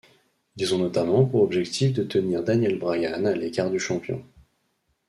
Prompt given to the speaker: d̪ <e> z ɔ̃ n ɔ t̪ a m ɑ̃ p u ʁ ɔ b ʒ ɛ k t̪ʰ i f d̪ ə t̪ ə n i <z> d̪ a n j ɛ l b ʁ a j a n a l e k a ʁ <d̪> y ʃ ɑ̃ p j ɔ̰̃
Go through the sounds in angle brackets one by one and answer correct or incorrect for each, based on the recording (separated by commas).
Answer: incorrect, incorrect, correct